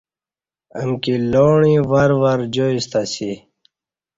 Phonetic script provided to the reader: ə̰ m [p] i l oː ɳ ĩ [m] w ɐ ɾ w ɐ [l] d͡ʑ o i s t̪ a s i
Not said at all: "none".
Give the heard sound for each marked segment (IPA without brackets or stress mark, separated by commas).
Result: k, none, ɾ